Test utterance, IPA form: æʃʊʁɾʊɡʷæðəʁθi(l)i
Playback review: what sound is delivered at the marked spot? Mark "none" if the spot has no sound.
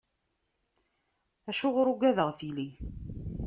l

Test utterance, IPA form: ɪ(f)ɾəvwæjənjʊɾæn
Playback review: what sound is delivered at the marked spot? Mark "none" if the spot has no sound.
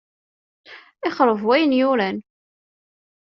χ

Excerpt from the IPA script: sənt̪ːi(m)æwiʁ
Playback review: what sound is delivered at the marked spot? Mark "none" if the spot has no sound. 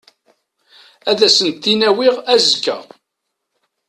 n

